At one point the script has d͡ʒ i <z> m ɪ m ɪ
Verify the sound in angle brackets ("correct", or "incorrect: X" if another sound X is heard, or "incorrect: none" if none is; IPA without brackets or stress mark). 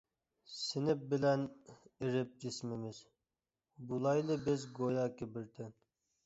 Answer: incorrect: s